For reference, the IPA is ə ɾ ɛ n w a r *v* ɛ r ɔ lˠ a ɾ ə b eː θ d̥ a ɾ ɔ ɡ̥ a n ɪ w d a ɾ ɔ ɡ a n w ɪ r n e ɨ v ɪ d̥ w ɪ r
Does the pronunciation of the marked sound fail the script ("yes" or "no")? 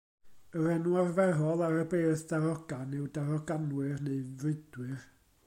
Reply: no